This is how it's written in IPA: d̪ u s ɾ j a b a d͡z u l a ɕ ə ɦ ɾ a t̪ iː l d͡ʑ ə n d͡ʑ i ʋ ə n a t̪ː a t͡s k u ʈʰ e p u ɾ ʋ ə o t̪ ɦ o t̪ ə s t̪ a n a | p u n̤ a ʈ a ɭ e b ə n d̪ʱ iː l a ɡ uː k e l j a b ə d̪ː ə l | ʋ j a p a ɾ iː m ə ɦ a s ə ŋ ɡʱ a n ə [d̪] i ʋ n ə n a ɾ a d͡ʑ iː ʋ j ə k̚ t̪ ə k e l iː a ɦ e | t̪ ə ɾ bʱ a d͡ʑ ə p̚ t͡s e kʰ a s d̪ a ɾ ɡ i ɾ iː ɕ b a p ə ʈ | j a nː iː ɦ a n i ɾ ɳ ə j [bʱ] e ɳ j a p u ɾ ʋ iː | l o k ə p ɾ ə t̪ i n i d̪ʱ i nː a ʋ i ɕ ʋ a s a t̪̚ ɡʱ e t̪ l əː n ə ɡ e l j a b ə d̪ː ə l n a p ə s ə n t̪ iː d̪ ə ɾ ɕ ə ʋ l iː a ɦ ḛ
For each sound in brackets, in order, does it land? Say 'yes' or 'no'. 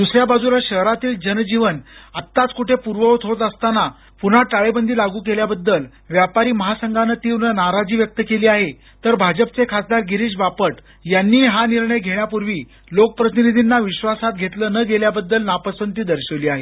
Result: no, no

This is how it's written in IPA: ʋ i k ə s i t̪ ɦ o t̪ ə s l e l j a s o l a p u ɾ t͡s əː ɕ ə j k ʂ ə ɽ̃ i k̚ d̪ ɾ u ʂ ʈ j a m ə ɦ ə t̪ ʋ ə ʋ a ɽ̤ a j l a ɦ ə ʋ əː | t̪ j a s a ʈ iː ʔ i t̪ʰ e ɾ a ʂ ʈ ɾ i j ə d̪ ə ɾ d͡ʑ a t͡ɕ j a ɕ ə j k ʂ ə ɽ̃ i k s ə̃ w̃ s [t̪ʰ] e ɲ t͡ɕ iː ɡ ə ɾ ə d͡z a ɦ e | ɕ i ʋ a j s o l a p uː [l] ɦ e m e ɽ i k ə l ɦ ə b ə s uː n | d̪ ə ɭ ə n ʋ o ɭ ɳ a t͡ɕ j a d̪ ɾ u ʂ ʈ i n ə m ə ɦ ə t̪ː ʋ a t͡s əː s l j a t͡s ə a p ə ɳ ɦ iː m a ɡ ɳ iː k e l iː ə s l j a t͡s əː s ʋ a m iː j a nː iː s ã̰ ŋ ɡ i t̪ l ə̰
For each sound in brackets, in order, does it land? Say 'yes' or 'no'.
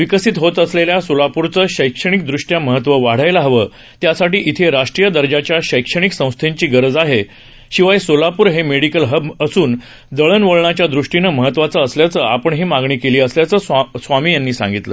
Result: yes, no

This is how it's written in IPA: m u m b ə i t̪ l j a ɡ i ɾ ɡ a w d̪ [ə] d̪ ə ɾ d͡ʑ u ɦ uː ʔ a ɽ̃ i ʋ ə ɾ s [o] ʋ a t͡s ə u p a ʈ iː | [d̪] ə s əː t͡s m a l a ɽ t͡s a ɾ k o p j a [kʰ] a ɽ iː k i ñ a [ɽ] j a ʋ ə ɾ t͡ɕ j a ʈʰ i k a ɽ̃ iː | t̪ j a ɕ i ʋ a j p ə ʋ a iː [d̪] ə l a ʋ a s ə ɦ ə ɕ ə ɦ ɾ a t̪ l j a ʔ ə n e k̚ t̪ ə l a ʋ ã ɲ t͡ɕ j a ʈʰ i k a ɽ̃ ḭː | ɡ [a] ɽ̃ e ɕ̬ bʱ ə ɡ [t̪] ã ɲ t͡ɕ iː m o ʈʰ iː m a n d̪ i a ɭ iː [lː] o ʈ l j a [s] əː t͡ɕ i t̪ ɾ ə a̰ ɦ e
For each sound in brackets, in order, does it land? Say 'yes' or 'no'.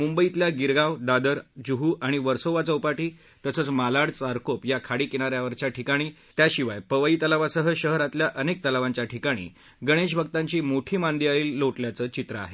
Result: no, yes, no, yes, no, no, no, yes, yes, no

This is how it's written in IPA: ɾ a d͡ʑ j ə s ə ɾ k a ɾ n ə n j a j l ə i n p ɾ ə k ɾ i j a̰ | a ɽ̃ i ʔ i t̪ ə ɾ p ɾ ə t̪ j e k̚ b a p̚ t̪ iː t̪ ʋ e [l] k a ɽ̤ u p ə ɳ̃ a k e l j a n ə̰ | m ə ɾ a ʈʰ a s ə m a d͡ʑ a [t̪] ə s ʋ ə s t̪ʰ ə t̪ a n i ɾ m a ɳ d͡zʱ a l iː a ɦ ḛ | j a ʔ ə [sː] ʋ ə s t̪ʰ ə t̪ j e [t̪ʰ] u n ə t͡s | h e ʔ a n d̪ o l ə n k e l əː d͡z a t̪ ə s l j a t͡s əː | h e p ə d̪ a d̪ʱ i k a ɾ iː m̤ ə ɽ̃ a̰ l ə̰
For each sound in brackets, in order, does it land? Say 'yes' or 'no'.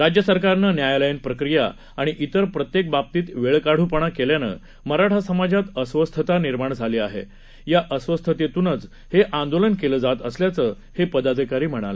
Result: no, yes, no, no

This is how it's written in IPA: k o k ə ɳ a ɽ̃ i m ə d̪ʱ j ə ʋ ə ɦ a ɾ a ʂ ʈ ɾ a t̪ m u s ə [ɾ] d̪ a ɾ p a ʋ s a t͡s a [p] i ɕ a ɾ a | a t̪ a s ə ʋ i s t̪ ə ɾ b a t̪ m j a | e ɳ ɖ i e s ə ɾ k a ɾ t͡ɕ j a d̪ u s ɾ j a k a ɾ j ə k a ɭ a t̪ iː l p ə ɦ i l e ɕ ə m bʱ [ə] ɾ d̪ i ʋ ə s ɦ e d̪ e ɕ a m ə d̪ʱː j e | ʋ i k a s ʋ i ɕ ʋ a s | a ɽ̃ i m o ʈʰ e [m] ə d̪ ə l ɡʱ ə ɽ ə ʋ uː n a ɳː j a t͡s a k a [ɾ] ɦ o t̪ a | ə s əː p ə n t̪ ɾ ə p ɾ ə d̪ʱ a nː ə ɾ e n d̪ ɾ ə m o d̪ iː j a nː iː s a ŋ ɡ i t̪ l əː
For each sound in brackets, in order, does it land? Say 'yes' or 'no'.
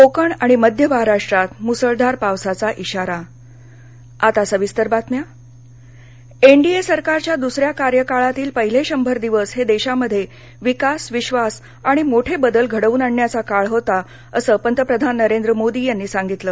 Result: no, no, yes, no, no

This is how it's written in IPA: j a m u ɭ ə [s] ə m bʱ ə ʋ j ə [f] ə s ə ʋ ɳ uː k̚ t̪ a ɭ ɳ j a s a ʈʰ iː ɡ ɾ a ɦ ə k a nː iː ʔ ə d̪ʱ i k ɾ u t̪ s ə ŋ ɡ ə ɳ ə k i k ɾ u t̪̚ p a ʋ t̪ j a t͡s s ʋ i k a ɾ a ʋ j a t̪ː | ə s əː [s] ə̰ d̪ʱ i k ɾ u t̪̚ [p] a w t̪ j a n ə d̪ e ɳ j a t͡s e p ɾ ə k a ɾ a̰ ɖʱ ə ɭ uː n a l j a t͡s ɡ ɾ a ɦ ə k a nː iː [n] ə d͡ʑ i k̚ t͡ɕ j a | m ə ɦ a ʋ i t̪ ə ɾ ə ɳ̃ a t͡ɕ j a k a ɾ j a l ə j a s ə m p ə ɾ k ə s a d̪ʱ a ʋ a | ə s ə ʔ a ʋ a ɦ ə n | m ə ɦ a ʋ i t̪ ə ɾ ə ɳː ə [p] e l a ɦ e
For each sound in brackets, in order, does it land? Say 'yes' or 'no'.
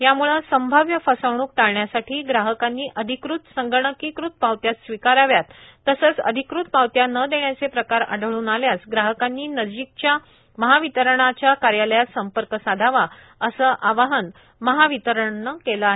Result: yes, yes, no, yes, yes, no

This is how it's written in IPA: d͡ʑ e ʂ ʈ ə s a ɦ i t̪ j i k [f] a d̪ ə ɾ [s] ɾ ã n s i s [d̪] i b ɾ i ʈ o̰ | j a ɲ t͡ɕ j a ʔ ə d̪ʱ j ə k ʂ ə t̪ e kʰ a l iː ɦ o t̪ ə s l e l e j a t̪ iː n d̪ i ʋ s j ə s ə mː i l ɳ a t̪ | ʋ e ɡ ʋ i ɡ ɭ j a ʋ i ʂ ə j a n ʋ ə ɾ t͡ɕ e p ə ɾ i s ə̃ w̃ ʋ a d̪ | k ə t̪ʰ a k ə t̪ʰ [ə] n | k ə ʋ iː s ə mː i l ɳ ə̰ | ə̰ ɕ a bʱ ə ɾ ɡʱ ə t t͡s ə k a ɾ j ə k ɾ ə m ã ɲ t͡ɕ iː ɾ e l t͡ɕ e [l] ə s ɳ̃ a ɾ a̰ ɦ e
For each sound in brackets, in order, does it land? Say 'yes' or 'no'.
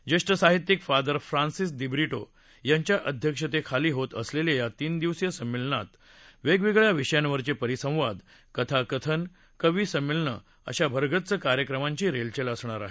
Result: yes, no, yes, yes, yes

